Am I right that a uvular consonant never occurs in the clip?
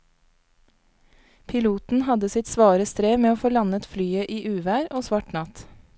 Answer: yes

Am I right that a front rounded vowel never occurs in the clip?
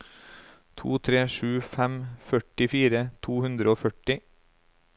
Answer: no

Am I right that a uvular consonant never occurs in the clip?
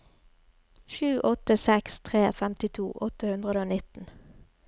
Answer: no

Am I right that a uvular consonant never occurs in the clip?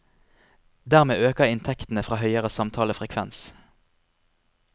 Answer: no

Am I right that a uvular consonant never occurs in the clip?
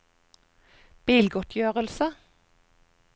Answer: no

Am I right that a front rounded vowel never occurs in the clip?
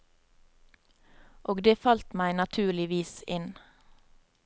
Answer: yes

